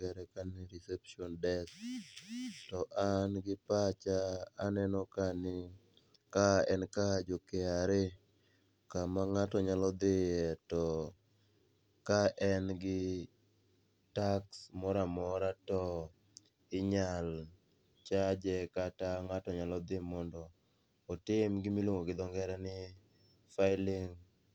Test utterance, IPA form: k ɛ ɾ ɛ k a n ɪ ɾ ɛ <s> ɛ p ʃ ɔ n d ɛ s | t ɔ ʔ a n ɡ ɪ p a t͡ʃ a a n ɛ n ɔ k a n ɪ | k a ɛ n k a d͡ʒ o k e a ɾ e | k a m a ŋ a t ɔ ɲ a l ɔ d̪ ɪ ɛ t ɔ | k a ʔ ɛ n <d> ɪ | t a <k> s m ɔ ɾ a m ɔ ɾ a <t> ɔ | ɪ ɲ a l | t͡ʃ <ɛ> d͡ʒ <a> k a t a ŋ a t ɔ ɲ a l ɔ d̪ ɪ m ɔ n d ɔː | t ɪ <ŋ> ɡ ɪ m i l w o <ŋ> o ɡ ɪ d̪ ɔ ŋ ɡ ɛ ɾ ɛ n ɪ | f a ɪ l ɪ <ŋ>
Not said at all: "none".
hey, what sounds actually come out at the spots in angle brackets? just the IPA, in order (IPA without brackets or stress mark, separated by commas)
s, ɡ, k, t, a, ɛ, m, ŋ, ŋ